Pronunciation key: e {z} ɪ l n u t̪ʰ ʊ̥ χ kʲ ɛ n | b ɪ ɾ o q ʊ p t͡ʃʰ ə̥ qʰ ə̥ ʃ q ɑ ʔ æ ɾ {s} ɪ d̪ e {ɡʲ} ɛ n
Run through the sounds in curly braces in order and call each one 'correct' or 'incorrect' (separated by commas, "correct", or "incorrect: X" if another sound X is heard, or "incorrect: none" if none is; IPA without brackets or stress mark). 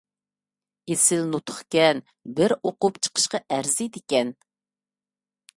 incorrect: s, incorrect: z, incorrect: kʲ